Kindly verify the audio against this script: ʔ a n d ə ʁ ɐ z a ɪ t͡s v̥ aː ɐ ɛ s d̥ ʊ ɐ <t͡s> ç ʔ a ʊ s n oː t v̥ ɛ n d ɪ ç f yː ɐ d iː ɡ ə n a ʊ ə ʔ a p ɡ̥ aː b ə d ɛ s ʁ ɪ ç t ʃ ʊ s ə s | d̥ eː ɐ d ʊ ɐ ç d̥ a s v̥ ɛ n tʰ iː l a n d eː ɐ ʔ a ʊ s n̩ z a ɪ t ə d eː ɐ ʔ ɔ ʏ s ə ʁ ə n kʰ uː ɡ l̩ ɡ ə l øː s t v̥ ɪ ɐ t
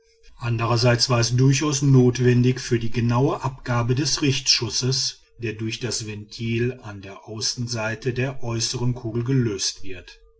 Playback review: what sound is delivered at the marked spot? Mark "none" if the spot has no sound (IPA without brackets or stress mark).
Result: none